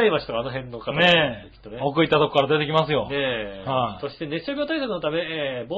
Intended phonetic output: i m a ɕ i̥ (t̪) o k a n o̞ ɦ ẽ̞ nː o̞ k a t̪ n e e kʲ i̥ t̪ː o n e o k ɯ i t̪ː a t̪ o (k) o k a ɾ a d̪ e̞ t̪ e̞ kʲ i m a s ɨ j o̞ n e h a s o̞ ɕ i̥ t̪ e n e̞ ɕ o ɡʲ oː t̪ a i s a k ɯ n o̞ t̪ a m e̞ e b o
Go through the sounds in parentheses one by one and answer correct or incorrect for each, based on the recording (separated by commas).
correct, correct